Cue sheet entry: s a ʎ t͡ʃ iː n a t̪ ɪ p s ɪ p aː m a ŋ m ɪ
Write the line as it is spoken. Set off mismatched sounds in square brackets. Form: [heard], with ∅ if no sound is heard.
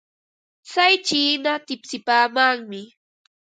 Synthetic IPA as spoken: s a [j] t͡ʃ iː n a t̪ ɪ p s ɪ p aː m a ŋ m ɪ